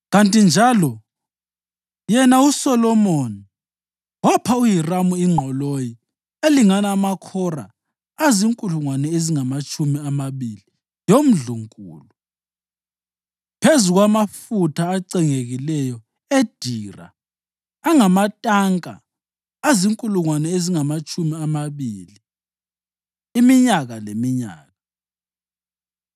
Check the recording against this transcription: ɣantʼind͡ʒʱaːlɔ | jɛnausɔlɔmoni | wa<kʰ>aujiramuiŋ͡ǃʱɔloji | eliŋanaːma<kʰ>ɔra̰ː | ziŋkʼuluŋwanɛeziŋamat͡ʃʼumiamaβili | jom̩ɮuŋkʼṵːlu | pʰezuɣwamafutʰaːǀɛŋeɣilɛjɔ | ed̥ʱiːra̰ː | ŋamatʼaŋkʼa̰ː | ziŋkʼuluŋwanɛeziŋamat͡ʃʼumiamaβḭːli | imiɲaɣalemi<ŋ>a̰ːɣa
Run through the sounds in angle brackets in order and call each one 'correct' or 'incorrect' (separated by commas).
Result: incorrect, correct, incorrect